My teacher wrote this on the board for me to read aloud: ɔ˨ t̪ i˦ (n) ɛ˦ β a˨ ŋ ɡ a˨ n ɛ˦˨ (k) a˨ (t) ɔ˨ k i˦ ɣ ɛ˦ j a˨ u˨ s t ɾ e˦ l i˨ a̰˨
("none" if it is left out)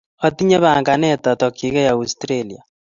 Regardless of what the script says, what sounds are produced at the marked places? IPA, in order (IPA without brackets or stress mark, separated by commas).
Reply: ɲ, t, t